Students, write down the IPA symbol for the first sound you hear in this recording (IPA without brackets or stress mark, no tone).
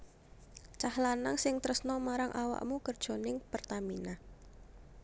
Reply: t͡ʃ